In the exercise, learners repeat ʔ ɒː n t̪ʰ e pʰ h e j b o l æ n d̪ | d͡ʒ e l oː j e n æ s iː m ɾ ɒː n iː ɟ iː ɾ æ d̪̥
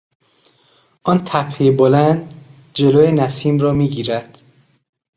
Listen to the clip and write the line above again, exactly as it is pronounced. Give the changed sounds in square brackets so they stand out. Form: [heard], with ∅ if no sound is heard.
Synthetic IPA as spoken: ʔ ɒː n t̪ʰ [æ] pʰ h e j b o l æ n d̪ | d͡ʒ e l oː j e n æ s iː m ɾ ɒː [m] iː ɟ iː ɾ æ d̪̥